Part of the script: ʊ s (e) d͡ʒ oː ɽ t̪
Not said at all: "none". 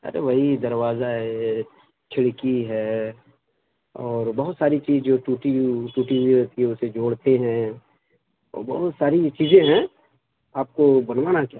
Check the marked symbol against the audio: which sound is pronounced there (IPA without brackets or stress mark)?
e